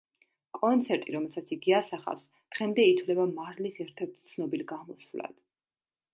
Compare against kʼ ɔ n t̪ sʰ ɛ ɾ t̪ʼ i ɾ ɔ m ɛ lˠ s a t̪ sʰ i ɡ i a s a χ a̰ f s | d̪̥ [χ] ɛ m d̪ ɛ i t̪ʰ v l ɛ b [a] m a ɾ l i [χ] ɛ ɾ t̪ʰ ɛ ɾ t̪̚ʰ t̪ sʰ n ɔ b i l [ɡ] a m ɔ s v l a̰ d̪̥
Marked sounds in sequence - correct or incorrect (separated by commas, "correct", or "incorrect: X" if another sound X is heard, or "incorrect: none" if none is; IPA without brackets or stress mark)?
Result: incorrect: ʁ, correct, incorrect: s, correct